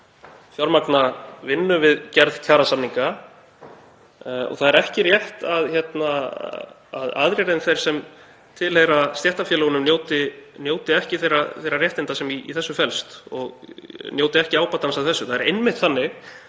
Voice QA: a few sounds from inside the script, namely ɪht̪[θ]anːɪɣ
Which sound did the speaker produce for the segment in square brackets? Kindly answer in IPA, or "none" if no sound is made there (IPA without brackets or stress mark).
θ